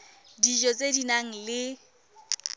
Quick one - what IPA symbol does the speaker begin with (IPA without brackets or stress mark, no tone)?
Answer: d